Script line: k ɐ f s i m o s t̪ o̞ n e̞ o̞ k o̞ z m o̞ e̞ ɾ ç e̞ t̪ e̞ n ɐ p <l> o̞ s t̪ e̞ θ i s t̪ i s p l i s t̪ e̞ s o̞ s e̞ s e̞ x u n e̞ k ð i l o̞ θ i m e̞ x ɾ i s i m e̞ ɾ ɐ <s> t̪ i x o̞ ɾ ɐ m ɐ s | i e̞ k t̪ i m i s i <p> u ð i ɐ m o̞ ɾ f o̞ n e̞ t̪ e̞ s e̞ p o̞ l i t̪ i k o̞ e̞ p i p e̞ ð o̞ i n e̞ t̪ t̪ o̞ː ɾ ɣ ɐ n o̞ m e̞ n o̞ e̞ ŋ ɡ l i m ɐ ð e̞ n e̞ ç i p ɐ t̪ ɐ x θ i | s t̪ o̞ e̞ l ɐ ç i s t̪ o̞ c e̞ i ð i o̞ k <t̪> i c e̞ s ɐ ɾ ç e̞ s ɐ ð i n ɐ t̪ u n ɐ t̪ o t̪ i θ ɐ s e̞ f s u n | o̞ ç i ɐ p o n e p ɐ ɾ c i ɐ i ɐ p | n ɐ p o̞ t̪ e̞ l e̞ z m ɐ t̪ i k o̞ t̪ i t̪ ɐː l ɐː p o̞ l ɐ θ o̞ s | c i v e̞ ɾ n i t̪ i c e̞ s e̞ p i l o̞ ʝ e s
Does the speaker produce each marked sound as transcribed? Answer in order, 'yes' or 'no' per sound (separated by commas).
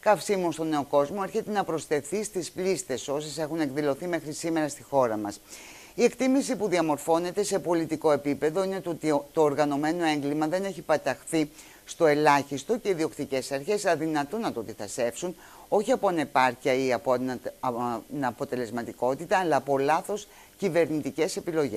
no, yes, yes, yes